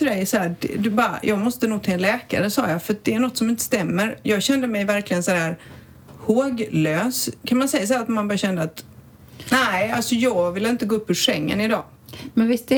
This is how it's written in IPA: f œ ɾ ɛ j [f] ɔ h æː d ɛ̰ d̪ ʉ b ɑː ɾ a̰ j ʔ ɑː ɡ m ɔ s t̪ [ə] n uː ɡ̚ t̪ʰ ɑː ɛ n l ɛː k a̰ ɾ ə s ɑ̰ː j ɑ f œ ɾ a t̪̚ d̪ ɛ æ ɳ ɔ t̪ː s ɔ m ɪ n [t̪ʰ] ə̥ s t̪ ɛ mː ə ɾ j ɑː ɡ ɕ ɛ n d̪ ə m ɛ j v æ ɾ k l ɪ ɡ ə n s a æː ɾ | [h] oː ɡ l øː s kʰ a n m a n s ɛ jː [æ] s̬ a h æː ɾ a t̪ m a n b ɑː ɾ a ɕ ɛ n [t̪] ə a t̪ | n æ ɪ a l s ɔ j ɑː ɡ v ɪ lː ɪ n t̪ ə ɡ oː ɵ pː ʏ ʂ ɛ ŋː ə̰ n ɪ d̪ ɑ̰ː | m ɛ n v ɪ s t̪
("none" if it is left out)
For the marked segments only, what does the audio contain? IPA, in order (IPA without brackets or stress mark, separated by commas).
s, ə, t̪, h, a, d̪